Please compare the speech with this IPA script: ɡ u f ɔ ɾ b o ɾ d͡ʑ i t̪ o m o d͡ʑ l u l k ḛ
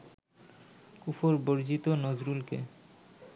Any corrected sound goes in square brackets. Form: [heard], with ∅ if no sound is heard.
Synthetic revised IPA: [k] u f [o] ɾ b o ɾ d͡ʑ i t̪ o [n] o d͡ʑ [ɾ] u l k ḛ